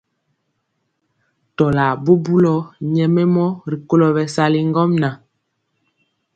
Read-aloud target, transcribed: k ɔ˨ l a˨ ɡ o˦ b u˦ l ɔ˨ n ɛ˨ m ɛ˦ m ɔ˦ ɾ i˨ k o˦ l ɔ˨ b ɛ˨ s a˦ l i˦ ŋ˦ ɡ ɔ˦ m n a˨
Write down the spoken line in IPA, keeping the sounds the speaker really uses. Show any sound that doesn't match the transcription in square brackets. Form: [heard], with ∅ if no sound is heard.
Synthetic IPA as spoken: [t] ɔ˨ l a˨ [b] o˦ b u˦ l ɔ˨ [ɲ] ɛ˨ m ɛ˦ m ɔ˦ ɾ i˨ k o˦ l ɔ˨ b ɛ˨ s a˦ l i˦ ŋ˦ ɡ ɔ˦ m n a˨